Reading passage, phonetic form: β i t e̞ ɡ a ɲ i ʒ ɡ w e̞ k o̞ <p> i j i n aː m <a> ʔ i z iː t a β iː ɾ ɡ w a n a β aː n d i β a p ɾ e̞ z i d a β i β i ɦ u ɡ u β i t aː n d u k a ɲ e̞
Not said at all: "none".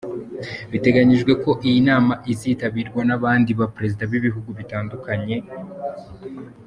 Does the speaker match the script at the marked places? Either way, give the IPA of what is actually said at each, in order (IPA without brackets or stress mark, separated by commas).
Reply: ʔ, a